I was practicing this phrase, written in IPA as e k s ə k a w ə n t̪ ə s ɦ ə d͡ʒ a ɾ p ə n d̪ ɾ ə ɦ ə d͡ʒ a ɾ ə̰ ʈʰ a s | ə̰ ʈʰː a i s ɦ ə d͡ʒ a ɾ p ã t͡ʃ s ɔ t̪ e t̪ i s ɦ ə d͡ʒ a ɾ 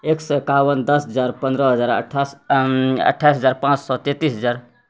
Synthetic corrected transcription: e k s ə k a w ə n d̪ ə s ɦ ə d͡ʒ a ɾ p ə n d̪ ɾ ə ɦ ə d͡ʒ a ɾ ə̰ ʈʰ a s | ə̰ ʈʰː a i s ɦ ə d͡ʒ a ɾ p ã t͡ʃ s ɔ t̪ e t̪ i s ɦ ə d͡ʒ a ɾ